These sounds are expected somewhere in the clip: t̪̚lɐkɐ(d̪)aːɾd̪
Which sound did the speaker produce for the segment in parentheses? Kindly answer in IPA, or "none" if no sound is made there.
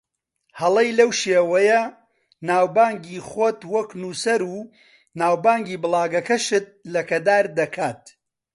d̪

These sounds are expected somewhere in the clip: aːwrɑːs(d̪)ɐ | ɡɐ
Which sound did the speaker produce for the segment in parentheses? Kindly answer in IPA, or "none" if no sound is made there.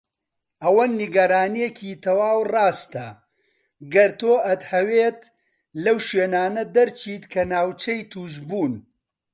t̪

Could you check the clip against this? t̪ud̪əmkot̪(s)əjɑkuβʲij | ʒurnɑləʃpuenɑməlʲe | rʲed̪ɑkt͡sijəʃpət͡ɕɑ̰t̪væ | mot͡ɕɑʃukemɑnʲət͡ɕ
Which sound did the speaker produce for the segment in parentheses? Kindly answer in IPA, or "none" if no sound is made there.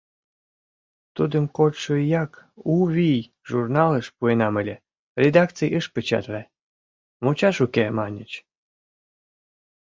ʃ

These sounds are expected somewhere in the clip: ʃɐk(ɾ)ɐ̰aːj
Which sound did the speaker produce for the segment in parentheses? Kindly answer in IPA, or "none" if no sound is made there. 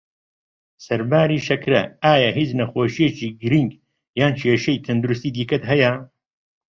ɾ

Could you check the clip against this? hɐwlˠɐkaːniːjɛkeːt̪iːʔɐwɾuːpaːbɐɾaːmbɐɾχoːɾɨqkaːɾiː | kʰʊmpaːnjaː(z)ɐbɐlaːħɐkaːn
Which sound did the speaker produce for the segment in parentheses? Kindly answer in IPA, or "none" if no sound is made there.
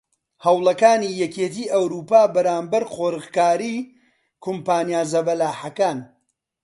z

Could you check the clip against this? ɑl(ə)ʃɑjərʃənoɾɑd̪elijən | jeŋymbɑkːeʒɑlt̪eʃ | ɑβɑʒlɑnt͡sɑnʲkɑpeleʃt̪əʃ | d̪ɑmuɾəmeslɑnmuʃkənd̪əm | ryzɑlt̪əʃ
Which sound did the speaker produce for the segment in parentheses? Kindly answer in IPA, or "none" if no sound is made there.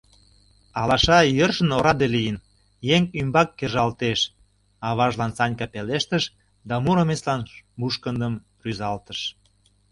ɑ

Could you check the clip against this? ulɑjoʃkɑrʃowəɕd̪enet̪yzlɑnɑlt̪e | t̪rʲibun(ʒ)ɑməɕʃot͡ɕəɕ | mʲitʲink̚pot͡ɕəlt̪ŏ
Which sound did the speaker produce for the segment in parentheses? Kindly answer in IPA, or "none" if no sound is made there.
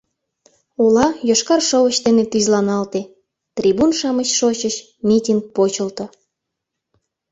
ʃ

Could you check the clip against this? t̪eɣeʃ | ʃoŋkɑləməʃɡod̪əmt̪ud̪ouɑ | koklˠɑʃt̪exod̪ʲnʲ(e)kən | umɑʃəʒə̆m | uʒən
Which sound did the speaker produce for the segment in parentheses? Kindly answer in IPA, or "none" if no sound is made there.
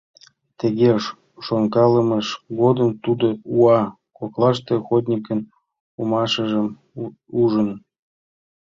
i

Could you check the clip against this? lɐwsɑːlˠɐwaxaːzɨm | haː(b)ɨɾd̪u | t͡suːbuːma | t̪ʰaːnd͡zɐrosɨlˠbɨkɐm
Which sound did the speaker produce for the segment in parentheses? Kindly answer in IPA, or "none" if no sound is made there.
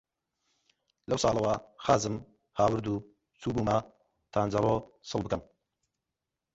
w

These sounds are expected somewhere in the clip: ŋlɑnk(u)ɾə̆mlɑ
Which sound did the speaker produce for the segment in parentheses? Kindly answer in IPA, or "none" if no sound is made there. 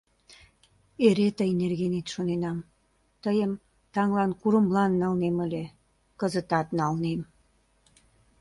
u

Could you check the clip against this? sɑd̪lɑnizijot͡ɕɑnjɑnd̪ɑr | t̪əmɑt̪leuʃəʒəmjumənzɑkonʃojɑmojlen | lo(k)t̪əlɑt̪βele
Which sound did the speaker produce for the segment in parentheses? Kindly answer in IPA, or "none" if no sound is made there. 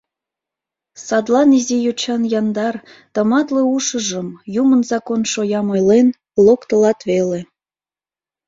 k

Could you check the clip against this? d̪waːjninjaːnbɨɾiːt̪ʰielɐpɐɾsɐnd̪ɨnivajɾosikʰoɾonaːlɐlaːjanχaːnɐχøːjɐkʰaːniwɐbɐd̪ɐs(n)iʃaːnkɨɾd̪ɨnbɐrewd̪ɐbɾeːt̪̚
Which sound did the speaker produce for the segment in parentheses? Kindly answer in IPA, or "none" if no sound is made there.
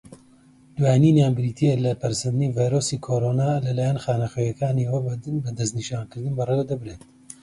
n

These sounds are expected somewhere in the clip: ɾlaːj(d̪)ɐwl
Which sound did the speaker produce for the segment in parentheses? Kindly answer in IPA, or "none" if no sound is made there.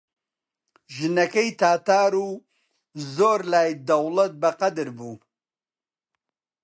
d̪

